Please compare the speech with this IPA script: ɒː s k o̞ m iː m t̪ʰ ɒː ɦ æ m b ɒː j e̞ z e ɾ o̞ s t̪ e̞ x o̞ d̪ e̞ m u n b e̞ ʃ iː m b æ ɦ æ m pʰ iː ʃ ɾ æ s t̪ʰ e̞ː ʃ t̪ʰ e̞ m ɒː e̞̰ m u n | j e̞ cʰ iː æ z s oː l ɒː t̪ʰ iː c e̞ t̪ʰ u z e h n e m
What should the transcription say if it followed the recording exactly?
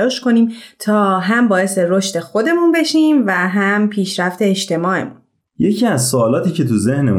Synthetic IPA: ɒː ʃ k o̞ n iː m t̪ʰ ɒː ɦ æ m b ɒː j e̞ s e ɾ o̞ ʃ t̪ e̞ x o̞ d̪ e̞ m u n b e̞ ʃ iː m v æ ɦ æ m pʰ iː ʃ ɾ æ f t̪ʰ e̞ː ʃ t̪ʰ e̞ m ɒː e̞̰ m u n | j e̞ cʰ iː æ z s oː l ɒː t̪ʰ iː c e̞ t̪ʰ u z e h n e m